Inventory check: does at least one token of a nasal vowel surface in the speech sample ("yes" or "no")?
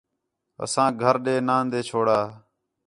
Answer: yes